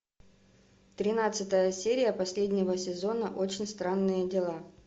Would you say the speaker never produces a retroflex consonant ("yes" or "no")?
yes